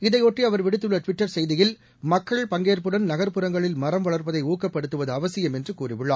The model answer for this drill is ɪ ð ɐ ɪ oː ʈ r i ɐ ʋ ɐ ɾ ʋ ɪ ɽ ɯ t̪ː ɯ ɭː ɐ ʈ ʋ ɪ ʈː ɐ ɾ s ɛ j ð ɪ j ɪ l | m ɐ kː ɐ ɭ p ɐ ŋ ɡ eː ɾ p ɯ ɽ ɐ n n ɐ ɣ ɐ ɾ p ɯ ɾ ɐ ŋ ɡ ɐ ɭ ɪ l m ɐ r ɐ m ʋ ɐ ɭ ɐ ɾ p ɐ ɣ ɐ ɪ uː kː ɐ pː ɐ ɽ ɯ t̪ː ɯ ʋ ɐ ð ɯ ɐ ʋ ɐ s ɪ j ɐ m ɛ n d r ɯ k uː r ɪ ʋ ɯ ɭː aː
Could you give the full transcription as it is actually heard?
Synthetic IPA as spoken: ɪ ð ɐ ɪ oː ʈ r i ɐ ʋ ɐ ɾ ʋ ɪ ɽ ɯ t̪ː ɯ ɭː ɐ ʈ ʋ ɪ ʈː ɐ ɾ s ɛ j ð ɪ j ɪ l | m ɐ kː ɐ ɭ p ɐ ŋ ɡ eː ɾ p ɯ ɽ ɐ n n ɐ ɣ ɐ ɾ p ɯ ɾ ɐ ŋ ɡ ɐ ɭ ɪ l m ɐ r ɐ m ʋ ɐ ɭ ɐ ɾ p ɐ ð ɐ ɪ uː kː ɐ pː ɐ ɽ ɯ t̪ː ɯ ʋ ɐ ð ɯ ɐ ʋ ɐ s ɪ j ɐ m ɛ n d r ɯ k uː r ɪ ʋ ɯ ɭː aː